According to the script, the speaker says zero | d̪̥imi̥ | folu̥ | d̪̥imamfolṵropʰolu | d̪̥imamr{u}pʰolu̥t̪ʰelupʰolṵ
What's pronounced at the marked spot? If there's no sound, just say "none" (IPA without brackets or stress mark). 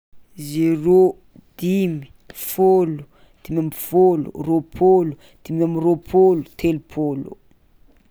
o